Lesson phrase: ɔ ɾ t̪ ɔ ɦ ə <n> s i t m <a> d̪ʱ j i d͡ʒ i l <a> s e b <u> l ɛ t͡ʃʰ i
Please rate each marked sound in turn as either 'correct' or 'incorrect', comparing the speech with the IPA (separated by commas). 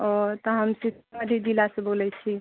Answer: incorrect, incorrect, correct, incorrect